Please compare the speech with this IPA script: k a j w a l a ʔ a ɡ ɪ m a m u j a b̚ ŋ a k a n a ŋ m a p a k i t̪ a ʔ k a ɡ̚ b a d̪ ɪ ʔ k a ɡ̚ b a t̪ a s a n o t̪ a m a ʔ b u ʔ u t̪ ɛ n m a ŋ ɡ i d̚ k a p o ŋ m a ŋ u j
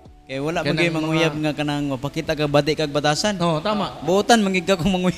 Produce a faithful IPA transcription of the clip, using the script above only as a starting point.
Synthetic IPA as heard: k a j w a l a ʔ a ɡ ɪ m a ŋ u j a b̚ ŋ a k a n a ŋ m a p a k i t̪ a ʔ k a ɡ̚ b a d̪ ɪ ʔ k a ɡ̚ b a t̪ a s a n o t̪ a m a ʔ b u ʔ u t̪ a n m a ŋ ɡ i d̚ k a k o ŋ m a ŋ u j